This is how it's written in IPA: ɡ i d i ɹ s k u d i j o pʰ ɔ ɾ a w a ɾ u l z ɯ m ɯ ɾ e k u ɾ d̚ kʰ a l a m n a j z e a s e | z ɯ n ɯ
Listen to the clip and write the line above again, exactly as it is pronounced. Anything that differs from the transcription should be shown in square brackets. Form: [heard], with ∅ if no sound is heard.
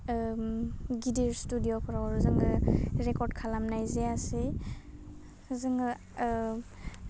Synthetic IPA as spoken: ɡ i d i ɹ s [t] u d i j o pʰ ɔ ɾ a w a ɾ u [∅] z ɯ [ŋ] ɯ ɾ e k [ɔ] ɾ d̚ kʰ a l a m n a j z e a s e | z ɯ [ŋ] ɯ